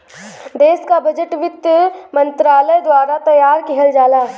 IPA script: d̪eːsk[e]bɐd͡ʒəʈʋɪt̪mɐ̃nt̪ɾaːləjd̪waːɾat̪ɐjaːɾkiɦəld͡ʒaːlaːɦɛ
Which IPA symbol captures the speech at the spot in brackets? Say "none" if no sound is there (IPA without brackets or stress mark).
a